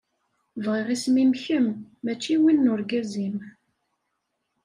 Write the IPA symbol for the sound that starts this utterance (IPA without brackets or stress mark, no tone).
v